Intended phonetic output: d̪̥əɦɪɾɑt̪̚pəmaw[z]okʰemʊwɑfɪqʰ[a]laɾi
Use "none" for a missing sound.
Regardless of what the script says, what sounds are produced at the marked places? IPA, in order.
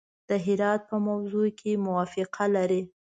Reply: z, a

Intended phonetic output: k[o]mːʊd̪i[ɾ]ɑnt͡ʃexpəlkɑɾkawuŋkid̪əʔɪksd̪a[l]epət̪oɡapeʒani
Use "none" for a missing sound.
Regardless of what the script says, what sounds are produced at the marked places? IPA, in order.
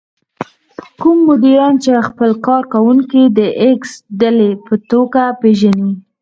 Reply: u, ɾ, l

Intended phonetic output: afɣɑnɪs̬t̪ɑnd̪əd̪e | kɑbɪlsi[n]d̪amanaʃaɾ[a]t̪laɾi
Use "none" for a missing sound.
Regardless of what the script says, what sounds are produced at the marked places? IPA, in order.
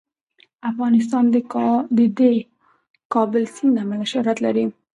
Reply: n, a

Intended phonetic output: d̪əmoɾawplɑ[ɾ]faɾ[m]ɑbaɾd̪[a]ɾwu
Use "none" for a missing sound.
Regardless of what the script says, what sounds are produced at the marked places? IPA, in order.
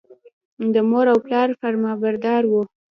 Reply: ɾ, m, ɑ

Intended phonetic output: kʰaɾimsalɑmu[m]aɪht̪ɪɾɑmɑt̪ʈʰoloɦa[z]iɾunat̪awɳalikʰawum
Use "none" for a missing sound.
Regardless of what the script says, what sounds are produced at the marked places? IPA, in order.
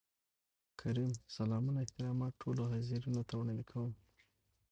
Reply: n, z

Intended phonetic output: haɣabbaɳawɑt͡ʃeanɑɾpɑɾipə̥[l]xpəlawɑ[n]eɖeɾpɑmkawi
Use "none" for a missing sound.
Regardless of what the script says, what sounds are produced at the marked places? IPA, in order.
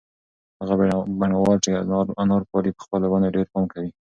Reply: none, n

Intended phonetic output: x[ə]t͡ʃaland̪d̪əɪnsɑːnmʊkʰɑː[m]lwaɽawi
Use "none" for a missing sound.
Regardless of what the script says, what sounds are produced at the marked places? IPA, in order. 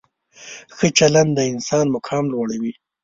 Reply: ə, m

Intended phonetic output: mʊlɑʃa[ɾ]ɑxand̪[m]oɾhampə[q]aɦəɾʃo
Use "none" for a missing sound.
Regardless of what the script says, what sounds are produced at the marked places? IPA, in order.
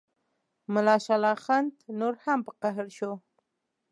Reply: l, n, q

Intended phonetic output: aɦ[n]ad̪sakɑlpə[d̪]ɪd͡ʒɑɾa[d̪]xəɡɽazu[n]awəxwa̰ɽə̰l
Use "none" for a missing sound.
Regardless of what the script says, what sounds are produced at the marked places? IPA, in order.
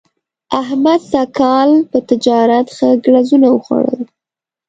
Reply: m, t̪, t̪, n

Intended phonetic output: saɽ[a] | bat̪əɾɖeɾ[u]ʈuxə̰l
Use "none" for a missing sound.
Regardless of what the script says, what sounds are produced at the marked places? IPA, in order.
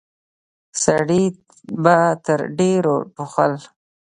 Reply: i, o

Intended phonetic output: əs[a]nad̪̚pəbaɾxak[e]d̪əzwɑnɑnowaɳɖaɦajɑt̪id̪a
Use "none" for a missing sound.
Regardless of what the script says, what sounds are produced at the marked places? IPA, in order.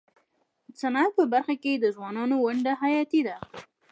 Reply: a, e

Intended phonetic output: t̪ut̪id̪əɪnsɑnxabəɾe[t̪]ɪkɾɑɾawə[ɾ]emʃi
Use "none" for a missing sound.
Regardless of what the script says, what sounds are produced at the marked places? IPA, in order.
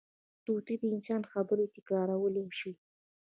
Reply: t̪, l

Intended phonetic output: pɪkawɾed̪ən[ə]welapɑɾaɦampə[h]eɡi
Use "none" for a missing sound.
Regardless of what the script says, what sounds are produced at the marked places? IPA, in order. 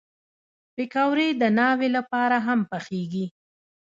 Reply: ɑ, x

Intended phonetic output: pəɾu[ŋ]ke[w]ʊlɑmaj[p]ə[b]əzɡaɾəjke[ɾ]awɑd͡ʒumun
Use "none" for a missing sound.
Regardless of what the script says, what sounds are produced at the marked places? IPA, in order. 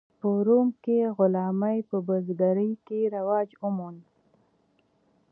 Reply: m, ɣ, p, b, ɾ

